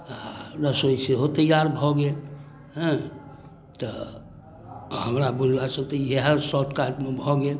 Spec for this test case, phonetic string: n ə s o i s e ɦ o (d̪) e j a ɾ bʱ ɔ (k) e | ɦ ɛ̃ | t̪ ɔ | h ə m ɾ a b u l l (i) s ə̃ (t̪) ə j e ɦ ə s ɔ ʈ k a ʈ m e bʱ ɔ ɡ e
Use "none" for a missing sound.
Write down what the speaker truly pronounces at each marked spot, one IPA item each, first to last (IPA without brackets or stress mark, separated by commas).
t̪, ɡ, a, t̪